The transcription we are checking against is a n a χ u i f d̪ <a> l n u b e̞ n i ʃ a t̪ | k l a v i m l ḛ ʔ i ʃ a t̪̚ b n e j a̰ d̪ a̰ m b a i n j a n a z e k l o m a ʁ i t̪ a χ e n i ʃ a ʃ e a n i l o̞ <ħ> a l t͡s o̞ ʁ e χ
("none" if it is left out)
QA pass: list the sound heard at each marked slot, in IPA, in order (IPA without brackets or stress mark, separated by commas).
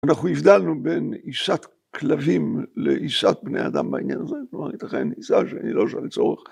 a, ʃ